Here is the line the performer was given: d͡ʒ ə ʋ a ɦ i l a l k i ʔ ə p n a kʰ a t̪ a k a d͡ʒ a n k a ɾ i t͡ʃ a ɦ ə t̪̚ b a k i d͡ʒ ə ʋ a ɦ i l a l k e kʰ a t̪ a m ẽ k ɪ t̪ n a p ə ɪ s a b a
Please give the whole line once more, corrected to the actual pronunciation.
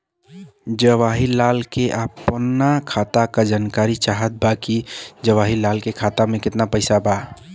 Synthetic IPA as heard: d͡ʒ ə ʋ a ɦ i l a l k e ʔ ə p n a kʰ a t̪ a k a d͡ʒ a n k a ɾ i t͡ʃ a ɦ ə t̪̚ b a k i d͡ʒ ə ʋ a ɦ i l a l k e kʰ a t̪ a m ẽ k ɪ t̪ n a p ə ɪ s a b a